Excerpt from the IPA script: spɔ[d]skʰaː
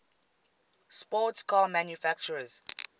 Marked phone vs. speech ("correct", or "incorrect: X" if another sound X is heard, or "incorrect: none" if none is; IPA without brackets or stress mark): incorrect: t